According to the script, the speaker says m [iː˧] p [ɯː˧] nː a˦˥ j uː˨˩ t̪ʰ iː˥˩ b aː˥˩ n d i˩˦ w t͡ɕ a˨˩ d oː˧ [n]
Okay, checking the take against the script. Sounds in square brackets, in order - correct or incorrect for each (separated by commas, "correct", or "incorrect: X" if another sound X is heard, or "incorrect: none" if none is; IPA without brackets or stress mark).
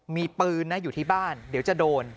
correct, correct, correct